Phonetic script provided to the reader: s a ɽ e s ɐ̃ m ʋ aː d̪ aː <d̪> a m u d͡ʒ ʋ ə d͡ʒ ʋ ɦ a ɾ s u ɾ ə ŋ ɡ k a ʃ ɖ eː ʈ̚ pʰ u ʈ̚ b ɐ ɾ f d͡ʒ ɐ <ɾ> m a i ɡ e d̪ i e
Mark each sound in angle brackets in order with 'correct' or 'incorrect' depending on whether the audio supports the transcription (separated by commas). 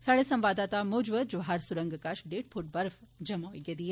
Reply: incorrect, incorrect